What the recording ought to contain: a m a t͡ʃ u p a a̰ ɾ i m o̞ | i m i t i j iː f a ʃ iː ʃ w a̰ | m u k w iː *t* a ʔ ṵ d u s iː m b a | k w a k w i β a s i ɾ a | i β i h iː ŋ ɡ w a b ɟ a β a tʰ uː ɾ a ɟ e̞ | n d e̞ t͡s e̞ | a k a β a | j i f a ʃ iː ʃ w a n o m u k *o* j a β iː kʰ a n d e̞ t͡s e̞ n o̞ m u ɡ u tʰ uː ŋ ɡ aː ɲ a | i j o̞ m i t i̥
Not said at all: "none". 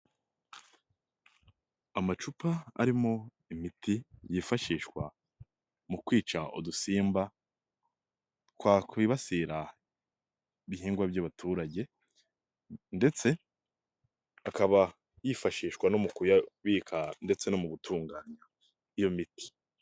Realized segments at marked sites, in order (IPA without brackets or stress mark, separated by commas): t͡ʃ, u